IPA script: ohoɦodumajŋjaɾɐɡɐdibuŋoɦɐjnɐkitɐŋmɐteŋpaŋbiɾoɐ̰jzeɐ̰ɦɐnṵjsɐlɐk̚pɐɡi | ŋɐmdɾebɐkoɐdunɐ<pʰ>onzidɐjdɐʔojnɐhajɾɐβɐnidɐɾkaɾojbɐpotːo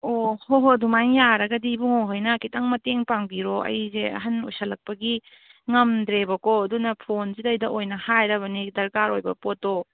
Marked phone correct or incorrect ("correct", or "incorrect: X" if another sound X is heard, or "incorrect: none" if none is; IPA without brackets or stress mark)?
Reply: correct